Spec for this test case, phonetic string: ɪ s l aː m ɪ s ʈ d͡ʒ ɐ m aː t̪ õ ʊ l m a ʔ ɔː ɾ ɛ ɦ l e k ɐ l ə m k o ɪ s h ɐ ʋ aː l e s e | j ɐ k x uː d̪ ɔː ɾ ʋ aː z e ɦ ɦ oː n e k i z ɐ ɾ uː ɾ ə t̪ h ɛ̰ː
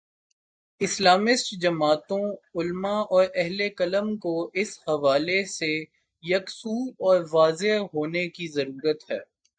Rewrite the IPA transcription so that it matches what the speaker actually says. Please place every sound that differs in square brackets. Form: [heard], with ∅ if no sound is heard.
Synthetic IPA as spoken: ɪ s l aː m ɪ s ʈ d͡ʒ ɐ m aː t̪ õ ʊ l m a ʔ ɔː ɾ ɛ ɦ l e k ɐ l ə m k o ɪ s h ɐ ʋ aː l e s e | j ɐ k [s] uː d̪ ɔː ɾ ʋ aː z e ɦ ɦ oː n e k i z ɐ ɾ uː ɾ ə t̪ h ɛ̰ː